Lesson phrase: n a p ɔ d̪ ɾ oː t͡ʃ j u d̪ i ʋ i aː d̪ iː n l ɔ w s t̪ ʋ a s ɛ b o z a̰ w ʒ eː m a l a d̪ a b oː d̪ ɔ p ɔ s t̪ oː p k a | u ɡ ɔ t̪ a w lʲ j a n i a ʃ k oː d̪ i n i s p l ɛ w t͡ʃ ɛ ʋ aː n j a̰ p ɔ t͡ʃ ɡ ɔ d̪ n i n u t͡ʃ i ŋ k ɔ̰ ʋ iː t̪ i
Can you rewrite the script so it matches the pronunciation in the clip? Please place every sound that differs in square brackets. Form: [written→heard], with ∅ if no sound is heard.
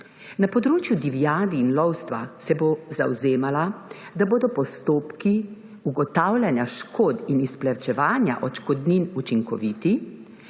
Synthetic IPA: n a p ɔ d̪ ɾ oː t͡ʃ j u d̪ i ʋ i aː d̪ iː n l ɔ w s t̪ ʋ a s ɛ b o z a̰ w [ʒ→z] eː m a l a d̪ a b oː d̪ ɔ p ɔ s t̪ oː p k [a→i] | u ɡ ɔ t̪ a w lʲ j a n [i→j] a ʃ k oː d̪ i n i s p l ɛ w t͡ʃ ɛ ʋ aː n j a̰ [p→ʔ] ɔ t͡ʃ [ɡ→k] ɔ d̪ n i n u t͡ʃ i ŋ k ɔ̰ ʋ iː t̪ i